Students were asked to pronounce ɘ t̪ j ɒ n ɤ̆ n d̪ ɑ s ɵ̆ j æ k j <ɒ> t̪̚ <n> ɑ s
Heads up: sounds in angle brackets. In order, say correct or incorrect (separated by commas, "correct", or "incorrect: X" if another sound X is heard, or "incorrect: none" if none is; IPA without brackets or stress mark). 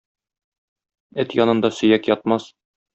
correct, incorrect: m